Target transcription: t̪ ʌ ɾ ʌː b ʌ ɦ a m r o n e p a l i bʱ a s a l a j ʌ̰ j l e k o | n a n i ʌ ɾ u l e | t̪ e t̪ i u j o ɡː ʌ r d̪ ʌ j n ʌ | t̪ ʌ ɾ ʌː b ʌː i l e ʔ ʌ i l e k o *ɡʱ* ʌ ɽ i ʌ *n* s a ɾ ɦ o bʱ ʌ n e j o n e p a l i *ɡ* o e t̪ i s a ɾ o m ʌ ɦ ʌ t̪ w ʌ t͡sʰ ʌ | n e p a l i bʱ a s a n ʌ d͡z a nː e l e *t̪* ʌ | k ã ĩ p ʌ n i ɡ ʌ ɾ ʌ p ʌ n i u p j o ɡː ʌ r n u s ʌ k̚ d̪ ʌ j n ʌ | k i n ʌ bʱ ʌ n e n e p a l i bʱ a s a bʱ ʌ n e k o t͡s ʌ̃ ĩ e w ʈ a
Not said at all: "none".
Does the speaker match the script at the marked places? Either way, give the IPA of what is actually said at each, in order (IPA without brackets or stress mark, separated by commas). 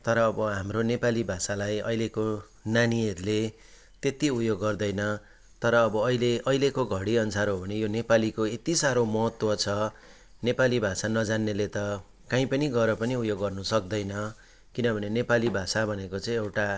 ɡʱ, n, k, t̪